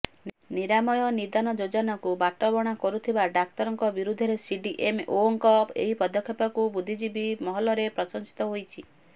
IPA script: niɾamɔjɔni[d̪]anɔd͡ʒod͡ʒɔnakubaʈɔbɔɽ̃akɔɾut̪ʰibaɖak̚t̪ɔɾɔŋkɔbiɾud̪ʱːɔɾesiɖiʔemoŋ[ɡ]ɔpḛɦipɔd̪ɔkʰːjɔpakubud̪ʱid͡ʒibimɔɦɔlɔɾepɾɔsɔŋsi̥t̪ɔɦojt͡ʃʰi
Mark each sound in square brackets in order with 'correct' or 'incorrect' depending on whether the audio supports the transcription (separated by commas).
correct, incorrect